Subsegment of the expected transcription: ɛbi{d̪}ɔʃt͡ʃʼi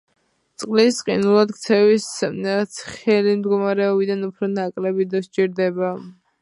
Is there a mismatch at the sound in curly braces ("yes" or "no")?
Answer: no